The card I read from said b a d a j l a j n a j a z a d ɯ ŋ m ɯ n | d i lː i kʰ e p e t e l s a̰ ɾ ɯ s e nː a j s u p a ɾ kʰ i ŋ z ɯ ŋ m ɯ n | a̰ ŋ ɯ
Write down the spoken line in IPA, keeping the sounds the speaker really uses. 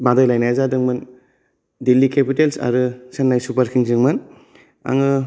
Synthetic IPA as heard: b a d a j l a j n a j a z a d ɯ ŋ m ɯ n | d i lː i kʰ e p i t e l s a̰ ɾ ɯ s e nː a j s u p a ɾ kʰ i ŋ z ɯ ŋ m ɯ n | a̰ ŋ ɯ